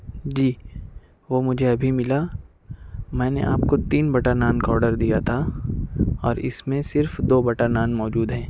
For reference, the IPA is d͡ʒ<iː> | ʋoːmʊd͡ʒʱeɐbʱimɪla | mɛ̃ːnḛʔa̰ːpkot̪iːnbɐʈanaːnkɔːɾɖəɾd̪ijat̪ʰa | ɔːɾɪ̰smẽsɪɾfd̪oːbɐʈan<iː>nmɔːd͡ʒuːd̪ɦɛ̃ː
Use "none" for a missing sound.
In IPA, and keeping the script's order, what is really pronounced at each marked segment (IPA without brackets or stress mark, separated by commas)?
iː, aː